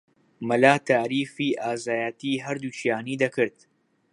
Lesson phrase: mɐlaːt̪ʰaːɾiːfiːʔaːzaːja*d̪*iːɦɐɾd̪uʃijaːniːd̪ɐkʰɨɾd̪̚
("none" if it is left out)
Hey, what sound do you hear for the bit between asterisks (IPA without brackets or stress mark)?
t̪